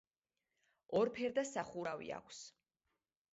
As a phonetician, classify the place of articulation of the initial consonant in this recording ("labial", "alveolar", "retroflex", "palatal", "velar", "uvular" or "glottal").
alveolar